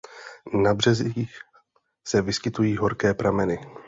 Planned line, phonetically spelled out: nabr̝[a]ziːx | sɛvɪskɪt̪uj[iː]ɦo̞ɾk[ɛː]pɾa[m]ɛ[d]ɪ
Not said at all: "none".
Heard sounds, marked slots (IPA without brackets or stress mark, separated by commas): ɛ, iː, ɛː, m, n